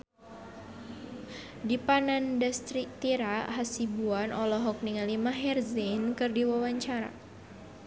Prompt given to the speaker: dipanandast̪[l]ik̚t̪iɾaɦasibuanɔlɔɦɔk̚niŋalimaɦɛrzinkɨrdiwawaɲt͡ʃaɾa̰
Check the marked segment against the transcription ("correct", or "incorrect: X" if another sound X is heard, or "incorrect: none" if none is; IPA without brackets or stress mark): incorrect: ɾ